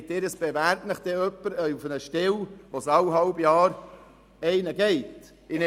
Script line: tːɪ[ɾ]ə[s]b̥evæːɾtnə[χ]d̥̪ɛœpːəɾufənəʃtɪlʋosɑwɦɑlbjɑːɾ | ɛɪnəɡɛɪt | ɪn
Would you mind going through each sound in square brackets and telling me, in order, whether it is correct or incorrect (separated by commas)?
correct, correct, correct